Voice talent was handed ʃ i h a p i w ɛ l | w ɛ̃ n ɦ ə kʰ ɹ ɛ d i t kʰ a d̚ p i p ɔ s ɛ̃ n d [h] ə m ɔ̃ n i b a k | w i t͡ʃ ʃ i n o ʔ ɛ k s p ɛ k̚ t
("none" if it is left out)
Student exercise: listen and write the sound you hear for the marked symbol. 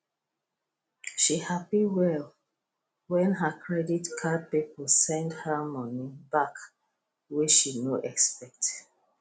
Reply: h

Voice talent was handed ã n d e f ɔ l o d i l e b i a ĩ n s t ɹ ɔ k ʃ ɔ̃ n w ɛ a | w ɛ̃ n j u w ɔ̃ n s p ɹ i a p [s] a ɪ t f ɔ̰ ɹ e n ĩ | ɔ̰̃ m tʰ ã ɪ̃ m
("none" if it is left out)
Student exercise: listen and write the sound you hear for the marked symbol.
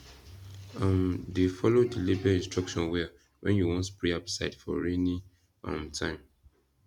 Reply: s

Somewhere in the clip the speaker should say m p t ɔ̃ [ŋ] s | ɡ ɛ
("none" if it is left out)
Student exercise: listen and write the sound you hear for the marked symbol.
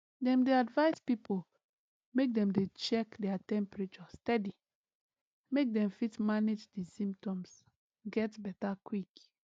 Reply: m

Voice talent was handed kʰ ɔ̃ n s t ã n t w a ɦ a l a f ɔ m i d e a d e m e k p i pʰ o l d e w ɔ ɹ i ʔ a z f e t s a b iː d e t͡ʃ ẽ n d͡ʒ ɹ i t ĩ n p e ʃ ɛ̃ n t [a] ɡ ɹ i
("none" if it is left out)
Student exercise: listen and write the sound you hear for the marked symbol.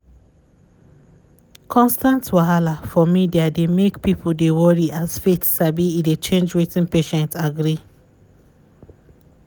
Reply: a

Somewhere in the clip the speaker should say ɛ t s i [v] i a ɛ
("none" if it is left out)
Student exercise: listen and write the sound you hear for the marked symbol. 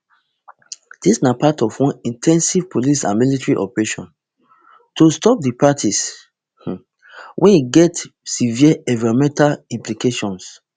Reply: v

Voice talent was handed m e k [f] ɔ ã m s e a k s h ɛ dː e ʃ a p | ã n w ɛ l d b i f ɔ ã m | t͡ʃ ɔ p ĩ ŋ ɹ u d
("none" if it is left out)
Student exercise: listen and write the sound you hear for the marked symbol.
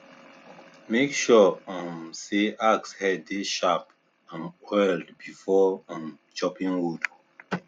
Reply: ʃ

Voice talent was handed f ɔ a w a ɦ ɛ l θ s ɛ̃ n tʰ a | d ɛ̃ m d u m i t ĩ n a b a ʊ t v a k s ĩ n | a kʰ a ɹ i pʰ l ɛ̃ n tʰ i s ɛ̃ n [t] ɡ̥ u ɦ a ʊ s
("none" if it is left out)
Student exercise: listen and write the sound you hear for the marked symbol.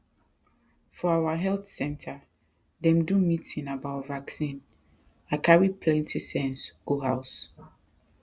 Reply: s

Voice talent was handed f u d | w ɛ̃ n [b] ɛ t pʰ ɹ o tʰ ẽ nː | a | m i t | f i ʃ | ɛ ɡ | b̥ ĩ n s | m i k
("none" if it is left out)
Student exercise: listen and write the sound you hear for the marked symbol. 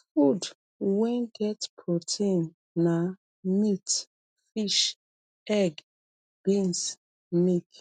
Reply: ɡ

